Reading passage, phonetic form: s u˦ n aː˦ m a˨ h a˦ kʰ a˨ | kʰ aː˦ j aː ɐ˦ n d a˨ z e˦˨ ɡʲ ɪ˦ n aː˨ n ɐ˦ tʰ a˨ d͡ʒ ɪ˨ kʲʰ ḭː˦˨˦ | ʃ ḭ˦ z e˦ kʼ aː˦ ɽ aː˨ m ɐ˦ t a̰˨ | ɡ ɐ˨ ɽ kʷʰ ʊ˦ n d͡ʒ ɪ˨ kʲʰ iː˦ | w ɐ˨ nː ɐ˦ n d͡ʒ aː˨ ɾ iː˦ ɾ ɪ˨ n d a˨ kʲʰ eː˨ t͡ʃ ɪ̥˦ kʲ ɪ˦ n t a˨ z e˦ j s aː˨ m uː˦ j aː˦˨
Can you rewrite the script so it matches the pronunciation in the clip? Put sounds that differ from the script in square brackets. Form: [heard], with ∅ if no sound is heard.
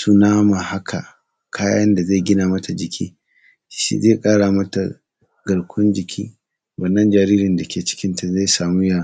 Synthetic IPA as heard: s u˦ n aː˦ m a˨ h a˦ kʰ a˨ | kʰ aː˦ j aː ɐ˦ n d a˨ z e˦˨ ɡʲ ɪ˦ n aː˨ [m] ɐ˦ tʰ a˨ d͡ʒ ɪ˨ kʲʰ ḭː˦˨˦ | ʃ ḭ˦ z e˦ kʼ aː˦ ɽ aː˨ m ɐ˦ t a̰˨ | ɡ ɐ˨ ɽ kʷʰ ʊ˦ n d͡ʒ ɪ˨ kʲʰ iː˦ | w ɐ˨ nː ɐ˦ n d͡ʒ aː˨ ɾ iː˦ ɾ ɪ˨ n d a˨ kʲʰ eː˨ t͡ʃ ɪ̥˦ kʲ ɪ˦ n t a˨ z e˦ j s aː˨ m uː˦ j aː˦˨